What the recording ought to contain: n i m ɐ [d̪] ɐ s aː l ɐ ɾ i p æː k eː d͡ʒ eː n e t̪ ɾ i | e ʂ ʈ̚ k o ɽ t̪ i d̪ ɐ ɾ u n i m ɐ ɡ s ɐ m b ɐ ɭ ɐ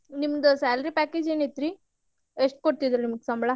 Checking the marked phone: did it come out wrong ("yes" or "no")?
no